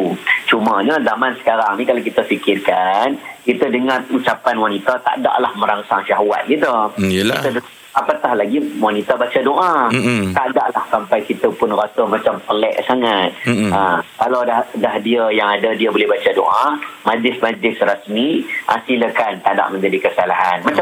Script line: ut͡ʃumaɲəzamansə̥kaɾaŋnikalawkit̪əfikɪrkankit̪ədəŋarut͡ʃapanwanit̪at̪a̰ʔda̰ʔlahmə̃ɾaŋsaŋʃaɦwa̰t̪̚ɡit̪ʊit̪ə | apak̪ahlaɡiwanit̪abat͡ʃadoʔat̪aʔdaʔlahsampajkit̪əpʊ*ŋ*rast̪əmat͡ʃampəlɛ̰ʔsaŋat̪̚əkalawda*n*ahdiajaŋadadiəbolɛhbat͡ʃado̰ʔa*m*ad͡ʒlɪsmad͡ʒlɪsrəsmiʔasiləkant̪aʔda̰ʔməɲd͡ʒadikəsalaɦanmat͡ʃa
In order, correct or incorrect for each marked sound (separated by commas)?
incorrect, incorrect, correct